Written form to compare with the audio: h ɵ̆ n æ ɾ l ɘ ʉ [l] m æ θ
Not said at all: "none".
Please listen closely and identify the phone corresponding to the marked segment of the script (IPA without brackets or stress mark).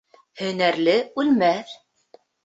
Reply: l